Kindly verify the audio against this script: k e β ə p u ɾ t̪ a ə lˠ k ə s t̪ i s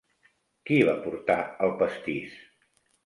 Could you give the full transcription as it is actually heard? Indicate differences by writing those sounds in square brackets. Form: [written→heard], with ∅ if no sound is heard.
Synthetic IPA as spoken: k [e→i] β [ə→a] p u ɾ t̪ a ə lˠ [k→p] ə s t̪ i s

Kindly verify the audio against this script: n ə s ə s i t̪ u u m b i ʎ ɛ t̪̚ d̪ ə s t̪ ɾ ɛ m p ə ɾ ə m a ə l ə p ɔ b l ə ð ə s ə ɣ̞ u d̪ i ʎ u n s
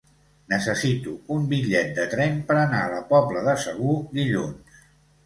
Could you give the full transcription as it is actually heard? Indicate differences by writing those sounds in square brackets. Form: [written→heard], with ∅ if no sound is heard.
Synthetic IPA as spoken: n ə s ə s i t̪ u u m b i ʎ ɛ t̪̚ d̪ ə [s→∅] t̪ ɾ ɛ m p ə ɾ ə [m→n] a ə l ə p ɔ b l ə ð ə s ə ɣ̞ u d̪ i ʎ u n s

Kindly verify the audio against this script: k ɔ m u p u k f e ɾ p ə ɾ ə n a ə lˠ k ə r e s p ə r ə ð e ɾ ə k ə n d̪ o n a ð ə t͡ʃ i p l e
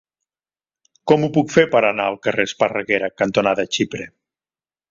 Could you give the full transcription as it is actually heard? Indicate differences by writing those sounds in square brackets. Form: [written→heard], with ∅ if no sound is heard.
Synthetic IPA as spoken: k ɔ m u p u k f e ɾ p ə ɾ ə n a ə lˠ k ə r e s p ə r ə [ð→ɣ] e ɾ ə k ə n [d̪→t̪] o n a ð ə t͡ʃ i p [l→ɾ] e

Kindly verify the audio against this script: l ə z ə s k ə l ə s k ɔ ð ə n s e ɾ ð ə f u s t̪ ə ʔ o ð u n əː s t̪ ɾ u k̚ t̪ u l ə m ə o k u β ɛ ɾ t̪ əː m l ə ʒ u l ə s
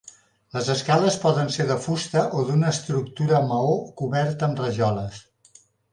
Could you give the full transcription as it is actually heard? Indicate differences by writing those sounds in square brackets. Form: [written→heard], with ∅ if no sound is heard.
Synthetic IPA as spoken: l ə z ə s k [ə→a] l ə s [k→p] ɔ ð ə n s e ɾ ð ə f u s t̪ ə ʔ o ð u n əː s t̪ ɾ u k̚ t̪ u [l→ɾ] ə m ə o k u β ɛ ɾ t̪ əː m [l→r] ə ʒ [u→ɔ] l ə s

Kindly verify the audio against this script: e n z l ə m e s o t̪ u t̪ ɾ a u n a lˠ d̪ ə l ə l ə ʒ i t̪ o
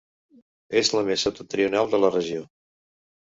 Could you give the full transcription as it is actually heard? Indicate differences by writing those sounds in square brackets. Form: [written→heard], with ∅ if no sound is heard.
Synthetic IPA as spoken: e [n→∅] z l ə m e s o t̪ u t̪ ɾ [a→i] u n a lˠ d̪ ə l ə [l→r] ə ʒ i [t̪→∅] o

